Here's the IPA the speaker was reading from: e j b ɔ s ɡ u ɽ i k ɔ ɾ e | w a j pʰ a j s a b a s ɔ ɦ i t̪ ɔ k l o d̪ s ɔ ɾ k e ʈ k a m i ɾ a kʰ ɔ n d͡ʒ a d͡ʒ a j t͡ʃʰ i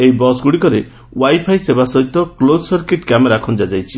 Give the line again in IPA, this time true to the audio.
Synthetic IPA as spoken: e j b ɔ s ɡ u ɽ i k ɔ ɾ e | w a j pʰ a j s e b a s ɔ ɦ i t̪ ɔ k l o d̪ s ɔ ɾ k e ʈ k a m e ɾ a kʰ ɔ n d͡ʒ a d͡ʒ a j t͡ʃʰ i